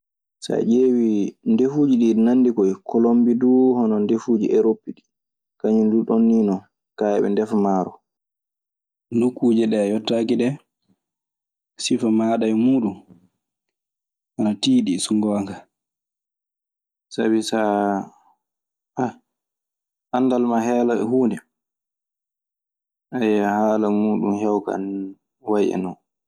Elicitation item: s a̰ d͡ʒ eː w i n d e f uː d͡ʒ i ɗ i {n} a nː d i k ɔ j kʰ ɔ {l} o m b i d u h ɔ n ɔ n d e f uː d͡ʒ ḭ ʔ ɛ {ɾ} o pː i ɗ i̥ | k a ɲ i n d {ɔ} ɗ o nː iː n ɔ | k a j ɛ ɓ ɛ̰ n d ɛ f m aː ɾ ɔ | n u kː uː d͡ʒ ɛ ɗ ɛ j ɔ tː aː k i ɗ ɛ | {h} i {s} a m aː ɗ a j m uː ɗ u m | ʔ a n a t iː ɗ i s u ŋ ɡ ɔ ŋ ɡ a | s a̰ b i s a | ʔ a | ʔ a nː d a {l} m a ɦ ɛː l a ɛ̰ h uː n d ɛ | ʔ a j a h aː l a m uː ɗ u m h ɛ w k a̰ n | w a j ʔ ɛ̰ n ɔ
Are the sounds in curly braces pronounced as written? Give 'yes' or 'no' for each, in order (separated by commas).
yes, yes, yes, no, no, no, yes